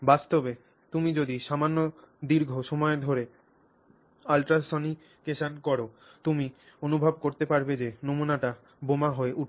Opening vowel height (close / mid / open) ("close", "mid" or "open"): open